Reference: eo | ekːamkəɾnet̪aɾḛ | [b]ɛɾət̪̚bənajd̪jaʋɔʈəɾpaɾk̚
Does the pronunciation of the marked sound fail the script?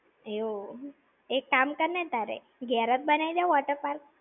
yes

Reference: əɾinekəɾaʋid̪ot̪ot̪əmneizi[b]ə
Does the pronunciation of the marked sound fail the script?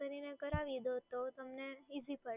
yes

